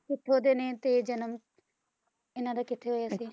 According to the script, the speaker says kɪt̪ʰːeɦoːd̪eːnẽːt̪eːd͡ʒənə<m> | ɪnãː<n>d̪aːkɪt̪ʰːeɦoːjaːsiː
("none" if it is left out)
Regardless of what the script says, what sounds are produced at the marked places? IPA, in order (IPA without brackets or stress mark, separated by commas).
m, none